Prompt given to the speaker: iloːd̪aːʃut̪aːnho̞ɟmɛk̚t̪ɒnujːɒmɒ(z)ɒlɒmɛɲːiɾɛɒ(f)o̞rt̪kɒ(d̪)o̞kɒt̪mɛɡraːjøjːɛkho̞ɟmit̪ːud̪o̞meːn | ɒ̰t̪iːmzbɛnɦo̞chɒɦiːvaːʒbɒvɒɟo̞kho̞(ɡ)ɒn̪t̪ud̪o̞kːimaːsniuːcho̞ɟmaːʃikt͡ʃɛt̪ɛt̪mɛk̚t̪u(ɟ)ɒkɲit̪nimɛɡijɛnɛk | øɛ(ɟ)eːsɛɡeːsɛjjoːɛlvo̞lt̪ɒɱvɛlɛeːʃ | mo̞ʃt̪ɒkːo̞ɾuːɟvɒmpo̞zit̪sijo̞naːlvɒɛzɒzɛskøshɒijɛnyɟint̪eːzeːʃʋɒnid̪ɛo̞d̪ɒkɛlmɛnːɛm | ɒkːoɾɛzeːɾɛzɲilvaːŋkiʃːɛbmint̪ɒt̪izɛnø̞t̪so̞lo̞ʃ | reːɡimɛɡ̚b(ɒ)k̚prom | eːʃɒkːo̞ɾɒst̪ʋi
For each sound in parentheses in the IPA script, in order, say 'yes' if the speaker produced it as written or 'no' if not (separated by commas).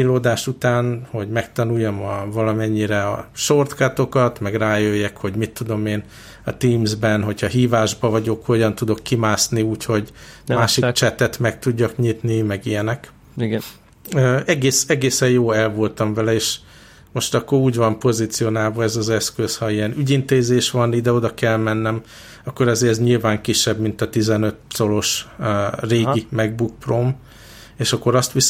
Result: no, no, no, no, no, no, no